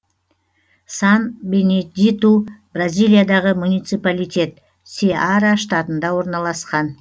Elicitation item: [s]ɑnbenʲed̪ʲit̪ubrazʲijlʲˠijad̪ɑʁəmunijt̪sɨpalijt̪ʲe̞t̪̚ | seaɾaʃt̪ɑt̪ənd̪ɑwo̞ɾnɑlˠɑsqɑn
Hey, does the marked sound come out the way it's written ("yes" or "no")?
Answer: yes